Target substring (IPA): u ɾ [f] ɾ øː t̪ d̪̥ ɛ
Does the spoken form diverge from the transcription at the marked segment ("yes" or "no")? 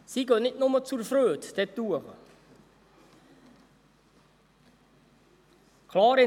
no